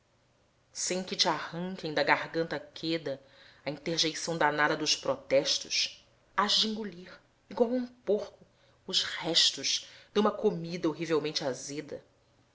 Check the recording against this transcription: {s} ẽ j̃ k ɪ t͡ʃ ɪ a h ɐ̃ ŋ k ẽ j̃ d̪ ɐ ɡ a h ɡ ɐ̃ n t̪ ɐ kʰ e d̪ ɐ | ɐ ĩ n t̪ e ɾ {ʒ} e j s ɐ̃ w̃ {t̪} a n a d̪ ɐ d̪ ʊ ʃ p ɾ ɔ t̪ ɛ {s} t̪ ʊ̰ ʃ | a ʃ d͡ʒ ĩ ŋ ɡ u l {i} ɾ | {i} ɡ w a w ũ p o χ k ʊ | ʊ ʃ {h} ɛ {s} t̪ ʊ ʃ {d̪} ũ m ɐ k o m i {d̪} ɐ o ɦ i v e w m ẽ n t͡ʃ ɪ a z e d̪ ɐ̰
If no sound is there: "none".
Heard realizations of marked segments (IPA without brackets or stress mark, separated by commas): s, ʒ, d̪, ʃ, i, i, h, ʃ, d̪, d̪